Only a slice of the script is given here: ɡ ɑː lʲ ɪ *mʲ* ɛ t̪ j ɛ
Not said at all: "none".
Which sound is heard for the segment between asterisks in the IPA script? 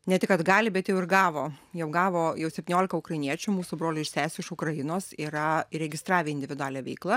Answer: bʲ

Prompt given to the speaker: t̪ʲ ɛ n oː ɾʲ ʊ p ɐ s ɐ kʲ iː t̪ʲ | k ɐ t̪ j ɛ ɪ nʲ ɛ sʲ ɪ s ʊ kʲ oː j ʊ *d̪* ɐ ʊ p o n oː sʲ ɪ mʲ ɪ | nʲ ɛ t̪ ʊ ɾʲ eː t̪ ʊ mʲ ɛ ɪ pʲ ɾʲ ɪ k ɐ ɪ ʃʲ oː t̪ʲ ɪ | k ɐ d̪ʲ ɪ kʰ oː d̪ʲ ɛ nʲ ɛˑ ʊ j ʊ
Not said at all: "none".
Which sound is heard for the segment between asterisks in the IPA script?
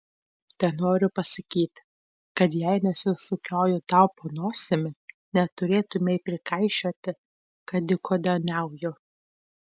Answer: t̪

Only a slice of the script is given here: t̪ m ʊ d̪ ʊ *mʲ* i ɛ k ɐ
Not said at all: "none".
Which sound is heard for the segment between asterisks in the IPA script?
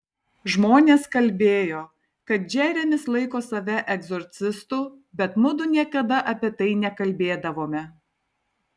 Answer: nʲ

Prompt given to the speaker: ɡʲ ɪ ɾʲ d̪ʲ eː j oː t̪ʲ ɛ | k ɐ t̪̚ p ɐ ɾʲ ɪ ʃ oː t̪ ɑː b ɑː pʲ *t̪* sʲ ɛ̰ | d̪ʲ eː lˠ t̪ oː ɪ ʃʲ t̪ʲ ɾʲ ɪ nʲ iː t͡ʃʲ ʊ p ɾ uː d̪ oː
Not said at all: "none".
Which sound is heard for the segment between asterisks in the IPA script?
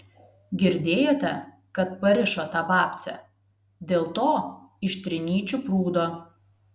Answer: t̪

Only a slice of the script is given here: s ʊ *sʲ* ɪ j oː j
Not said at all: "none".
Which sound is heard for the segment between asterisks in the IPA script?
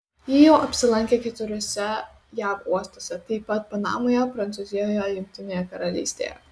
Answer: zʲ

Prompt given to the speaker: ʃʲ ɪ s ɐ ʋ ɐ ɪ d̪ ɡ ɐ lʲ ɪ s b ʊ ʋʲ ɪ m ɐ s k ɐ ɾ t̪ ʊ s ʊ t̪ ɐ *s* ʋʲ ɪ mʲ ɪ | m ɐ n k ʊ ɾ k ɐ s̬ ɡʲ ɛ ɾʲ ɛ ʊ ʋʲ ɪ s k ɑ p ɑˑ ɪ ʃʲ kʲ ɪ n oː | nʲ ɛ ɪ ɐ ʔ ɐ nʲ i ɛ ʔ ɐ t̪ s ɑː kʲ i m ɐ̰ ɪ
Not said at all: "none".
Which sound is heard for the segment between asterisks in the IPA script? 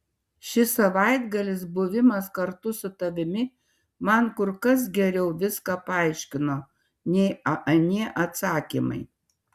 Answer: none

